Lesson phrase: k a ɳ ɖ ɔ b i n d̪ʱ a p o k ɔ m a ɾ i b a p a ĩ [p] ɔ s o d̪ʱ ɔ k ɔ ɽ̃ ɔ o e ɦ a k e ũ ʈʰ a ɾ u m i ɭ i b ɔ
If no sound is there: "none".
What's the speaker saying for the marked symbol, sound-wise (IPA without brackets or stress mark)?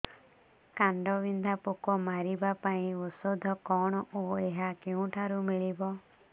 none